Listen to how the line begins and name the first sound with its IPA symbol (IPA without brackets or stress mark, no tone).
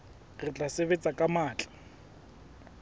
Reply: r